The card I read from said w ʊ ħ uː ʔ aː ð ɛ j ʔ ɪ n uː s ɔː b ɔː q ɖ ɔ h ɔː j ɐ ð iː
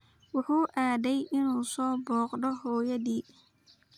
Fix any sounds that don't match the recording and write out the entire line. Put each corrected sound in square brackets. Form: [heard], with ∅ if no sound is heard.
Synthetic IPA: w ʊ ħ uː ʔ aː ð ɛ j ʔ ɪ n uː s ɔː b ɔː q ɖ ɔ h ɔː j ɐ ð iː